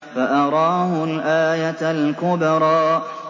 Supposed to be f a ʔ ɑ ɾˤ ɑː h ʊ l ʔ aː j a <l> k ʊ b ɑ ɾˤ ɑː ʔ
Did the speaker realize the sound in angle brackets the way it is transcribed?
yes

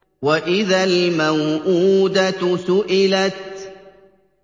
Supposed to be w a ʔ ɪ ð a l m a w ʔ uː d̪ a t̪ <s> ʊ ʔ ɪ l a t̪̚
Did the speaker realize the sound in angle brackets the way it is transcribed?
yes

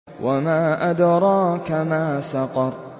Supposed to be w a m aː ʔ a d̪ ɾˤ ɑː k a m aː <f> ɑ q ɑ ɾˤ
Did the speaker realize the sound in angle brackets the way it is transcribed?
no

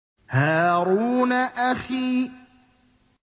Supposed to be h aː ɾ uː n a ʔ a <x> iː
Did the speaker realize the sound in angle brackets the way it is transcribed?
yes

